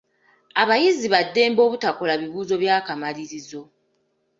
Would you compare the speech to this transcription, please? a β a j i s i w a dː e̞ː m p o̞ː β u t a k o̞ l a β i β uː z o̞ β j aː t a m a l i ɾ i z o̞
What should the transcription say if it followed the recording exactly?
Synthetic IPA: a β a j i z i β a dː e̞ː m b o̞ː β u t a k o̞ l a β i β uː z o̞ β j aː k a m a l i ɾ i z o̞